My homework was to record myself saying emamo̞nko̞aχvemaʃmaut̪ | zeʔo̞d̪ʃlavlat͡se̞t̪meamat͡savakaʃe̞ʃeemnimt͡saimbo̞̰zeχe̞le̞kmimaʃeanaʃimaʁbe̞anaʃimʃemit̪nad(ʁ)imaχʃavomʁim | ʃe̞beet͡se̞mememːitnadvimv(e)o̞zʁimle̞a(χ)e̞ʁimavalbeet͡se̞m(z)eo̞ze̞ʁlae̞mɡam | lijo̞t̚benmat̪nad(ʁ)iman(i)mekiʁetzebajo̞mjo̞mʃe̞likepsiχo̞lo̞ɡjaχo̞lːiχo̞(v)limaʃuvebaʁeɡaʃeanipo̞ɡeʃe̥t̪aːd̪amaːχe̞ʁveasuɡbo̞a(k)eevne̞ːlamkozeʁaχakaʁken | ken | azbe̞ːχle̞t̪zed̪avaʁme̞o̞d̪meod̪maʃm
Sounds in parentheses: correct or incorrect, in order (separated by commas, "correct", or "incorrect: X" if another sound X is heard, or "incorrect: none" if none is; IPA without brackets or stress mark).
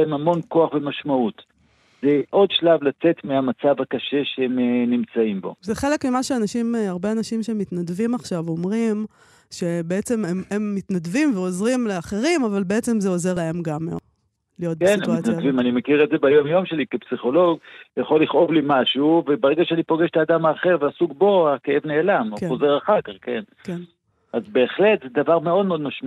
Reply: incorrect: v, correct, correct, correct, incorrect: v, correct, correct, correct